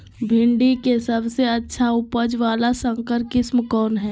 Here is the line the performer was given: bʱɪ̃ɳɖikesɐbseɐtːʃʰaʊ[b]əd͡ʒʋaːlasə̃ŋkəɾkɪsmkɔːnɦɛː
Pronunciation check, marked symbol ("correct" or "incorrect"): incorrect